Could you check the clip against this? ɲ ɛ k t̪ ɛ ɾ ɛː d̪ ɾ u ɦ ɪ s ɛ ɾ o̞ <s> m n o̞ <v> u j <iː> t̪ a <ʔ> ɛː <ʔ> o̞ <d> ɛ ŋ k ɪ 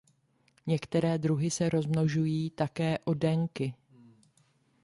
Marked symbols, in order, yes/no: no, no, yes, no, yes, yes

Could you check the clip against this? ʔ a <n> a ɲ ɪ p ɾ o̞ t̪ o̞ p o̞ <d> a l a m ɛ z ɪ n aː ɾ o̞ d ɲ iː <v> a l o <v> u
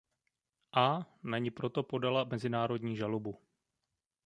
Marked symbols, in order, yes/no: yes, yes, no, no

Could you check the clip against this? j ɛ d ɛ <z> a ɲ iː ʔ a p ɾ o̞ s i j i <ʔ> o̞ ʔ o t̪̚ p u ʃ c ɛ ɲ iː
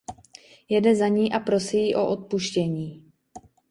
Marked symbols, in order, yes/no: yes, yes

